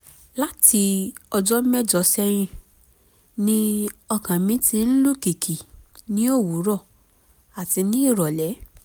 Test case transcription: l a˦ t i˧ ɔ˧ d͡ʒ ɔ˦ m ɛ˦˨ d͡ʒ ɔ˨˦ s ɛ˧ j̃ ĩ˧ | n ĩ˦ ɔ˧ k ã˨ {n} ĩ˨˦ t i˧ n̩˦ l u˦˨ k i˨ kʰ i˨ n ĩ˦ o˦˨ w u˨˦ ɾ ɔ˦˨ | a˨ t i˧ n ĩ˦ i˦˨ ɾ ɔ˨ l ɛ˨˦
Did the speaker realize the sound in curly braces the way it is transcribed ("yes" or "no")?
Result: no